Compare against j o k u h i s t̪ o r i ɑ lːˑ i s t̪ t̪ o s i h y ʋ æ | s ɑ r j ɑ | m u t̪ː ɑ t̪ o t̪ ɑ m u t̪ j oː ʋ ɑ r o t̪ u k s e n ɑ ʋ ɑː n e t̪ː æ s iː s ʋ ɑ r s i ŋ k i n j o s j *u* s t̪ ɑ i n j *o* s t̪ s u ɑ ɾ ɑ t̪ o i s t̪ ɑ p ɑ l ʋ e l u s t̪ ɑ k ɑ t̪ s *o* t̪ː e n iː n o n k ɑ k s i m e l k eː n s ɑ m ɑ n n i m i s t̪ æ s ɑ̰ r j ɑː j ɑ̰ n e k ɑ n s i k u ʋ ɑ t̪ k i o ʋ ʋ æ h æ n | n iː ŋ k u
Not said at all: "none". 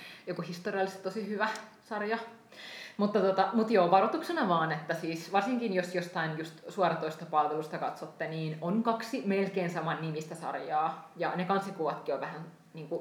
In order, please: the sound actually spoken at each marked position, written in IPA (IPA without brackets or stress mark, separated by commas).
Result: o, u, o